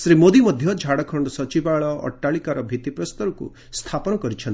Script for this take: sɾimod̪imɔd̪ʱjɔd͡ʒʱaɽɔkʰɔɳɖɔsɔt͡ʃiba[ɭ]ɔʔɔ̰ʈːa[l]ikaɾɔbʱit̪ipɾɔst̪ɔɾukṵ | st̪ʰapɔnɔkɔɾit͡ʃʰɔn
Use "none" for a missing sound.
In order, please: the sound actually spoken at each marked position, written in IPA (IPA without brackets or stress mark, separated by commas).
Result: ɭ, ɭ